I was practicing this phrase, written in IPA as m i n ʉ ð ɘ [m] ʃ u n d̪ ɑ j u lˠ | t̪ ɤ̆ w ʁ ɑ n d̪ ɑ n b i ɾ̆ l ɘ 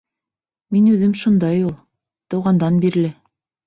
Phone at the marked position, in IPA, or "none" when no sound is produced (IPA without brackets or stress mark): m